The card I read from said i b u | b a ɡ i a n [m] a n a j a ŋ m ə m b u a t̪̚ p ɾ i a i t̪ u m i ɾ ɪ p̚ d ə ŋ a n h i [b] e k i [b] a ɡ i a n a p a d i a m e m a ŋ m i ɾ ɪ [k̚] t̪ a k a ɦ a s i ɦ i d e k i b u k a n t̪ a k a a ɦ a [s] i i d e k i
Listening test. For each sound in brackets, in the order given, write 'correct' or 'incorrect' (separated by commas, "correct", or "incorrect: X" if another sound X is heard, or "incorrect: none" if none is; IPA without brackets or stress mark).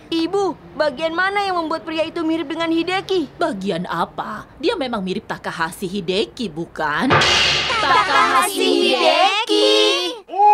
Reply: correct, incorrect: d, correct, incorrect: p̚, correct